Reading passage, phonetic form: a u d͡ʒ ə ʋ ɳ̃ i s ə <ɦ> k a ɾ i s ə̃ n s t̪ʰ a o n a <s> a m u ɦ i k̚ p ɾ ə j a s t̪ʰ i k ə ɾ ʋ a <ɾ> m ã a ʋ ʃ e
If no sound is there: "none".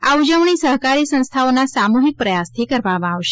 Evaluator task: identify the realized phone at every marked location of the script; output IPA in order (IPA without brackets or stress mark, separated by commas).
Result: ɦ, s, none